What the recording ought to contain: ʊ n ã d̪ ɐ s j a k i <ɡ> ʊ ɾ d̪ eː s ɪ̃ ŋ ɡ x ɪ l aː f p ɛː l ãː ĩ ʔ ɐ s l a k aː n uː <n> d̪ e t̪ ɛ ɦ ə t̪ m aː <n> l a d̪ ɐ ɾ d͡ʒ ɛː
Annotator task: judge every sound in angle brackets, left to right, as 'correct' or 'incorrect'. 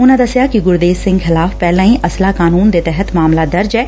correct, correct, incorrect: m

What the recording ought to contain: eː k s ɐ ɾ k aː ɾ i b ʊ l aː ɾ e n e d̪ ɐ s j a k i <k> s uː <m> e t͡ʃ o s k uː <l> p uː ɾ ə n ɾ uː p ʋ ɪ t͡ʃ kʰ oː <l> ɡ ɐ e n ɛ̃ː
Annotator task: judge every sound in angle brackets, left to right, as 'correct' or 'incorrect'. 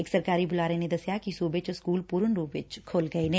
incorrect: none, incorrect: b, correct, correct

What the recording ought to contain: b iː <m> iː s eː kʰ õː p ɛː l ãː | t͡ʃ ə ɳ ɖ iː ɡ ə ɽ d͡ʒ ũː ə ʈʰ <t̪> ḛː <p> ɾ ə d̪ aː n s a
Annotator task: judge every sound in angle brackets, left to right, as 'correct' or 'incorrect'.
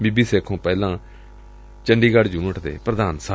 incorrect: b, incorrect: d̪, correct

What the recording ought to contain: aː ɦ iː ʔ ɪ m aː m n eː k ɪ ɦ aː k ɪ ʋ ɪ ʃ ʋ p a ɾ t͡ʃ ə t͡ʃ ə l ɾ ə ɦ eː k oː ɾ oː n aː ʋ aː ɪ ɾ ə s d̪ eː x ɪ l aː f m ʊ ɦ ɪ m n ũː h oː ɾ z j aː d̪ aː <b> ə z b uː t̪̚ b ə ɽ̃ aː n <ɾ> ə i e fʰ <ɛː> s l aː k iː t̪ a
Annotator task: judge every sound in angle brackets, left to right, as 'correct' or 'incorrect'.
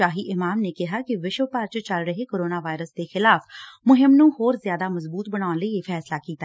incorrect: m, incorrect: l, correct

